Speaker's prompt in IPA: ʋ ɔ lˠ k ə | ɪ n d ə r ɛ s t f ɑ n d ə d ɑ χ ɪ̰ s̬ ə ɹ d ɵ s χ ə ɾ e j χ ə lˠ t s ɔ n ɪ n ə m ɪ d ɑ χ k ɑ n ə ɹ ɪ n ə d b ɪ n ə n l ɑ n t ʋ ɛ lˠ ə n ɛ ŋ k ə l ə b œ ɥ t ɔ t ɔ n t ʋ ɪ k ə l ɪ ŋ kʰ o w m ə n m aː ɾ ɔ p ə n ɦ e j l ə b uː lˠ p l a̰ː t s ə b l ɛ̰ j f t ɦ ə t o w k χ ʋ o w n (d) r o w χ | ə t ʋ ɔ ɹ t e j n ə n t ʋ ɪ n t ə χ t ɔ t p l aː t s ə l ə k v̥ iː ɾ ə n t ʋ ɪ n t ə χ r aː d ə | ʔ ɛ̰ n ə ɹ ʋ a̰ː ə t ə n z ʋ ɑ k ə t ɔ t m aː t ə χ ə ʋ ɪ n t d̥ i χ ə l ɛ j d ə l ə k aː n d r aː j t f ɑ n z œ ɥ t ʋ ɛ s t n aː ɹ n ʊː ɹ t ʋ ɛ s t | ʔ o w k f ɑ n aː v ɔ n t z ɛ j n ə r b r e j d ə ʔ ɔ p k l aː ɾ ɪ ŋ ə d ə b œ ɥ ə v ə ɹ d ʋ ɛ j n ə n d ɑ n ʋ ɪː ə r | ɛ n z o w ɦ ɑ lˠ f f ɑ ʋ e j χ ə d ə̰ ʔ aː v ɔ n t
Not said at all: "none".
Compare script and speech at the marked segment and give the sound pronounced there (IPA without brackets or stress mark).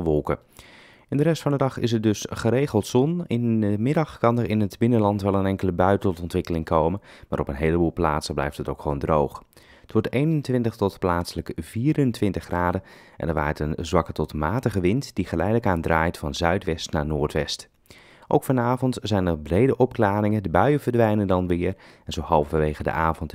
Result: d